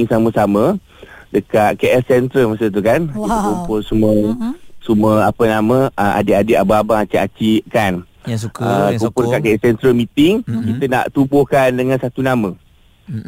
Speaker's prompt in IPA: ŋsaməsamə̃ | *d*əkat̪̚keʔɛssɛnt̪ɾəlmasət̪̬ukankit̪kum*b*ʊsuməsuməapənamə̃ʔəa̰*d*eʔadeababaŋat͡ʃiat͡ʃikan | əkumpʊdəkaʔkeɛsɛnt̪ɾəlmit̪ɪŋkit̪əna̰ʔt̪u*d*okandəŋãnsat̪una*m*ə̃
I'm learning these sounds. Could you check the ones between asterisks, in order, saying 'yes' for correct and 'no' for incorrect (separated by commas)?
yes, no, yes, no, yes